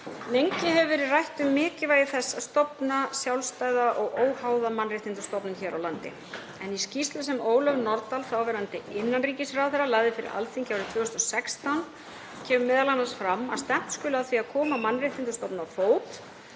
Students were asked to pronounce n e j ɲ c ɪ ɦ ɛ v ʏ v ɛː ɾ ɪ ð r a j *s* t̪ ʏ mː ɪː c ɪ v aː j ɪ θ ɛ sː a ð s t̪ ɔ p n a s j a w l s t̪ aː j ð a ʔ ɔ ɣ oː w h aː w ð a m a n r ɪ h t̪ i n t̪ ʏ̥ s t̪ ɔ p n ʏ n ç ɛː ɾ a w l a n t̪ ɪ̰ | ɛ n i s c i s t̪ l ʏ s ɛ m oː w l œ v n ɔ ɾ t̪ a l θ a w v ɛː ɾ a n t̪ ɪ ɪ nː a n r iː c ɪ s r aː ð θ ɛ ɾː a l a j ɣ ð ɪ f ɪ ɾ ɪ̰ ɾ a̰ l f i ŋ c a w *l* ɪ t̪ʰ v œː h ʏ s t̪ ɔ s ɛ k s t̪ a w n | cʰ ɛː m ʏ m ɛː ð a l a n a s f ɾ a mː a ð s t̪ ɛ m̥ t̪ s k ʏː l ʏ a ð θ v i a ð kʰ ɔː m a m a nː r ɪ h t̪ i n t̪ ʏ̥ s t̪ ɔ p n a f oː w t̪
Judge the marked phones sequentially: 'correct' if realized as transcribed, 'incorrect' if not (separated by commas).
incorrect, incorrect